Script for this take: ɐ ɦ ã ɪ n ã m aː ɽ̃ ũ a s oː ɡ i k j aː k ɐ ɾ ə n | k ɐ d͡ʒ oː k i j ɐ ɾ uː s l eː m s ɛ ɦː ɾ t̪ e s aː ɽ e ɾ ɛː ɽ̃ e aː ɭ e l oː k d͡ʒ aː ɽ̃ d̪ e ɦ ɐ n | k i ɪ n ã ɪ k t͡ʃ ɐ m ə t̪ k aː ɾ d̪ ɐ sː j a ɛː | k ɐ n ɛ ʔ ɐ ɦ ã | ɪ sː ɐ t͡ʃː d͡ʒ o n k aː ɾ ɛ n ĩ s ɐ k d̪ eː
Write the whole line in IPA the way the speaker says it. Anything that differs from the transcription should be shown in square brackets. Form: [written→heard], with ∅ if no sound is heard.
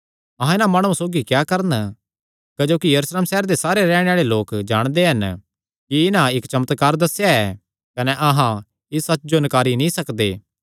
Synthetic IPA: ɐ ɦ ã ɪ n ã m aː ɽ̃ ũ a s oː ɡ i k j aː k ɐ ɾ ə n | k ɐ d͡ʒ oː k i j ɐ ɾ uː s l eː m s ɛ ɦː ɾ [t̪→d̪] e s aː [ɽ→ɾ] e ɾ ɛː ɽ̃ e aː ɭ e l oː k d͡ʒ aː ɽ̃ d̪ e ɦ ɐ n | k i ɪ n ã ɪ k t͡ʃ ɐ m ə t̪ k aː ɾ d̪ ɐ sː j a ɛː | k ɐ n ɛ ʔ ɐ ɦ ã | ɪ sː ɐ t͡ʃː d͡ʒ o n k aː ɾ [ɛ→i] n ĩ s ɐ k d̪ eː